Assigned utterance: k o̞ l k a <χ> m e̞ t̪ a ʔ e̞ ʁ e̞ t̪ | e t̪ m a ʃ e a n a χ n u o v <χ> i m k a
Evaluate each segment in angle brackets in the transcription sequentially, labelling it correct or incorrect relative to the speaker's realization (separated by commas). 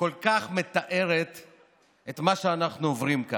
correct, incorrect